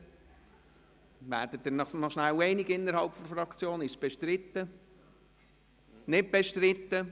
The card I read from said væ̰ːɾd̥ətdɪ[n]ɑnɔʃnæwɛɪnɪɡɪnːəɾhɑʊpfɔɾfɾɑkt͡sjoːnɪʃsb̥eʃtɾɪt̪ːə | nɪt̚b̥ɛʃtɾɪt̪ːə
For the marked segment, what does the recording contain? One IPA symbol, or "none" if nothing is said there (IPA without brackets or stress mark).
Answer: n